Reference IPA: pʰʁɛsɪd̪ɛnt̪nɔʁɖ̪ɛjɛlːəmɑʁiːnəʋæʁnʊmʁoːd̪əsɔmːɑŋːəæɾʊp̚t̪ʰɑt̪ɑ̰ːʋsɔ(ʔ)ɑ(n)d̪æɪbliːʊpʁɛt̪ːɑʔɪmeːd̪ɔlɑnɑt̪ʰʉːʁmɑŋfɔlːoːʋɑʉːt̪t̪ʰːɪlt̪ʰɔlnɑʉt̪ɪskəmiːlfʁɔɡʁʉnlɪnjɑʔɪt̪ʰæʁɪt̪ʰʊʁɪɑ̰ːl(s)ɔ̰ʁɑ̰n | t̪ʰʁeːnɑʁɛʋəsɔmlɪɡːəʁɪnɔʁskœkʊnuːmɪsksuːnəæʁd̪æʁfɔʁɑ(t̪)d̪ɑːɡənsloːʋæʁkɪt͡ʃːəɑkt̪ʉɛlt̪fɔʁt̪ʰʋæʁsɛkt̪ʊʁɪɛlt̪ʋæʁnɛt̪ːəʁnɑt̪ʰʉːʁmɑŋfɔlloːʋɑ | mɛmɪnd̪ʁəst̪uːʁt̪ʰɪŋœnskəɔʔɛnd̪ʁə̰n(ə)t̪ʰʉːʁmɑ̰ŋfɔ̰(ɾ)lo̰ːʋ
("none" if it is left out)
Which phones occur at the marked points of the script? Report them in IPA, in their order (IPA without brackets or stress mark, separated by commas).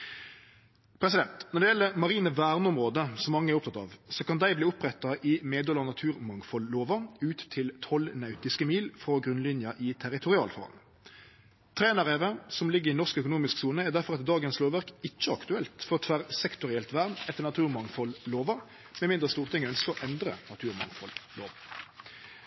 k, n, f, t̪, ɑ, l